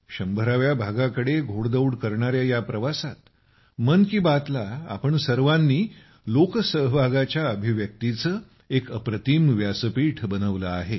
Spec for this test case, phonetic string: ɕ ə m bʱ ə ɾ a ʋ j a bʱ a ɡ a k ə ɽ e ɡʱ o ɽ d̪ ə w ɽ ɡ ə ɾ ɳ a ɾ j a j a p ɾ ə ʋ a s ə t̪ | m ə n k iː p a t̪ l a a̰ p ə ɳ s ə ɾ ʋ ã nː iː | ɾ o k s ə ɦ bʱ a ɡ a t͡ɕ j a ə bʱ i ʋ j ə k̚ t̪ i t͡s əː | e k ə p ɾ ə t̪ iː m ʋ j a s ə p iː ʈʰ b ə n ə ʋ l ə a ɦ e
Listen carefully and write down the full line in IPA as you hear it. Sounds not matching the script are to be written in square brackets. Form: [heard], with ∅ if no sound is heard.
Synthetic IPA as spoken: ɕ ə m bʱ ə ɾ a ʋ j a bʱ a ɡ a k ə ɽ e ɡʱ o ɽ d̪ ə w ɽ [k] ə ɾ ɳ a ɾ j a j a p ɾ ə ʋ a s [a] t̪ | m ə n k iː [b] a t̪ l a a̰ p ə ɳ s ə ɾ ʋ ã nː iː | [l] o k s ə ɦ bʱ a ɡ a t͡ɕ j a ə bʱ i ʋ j ə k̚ t̪ i t͡s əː | e k ə p ɾ ə t̪ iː m ʋ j a s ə p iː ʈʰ b ə n ə ʋ l ə a ɦ e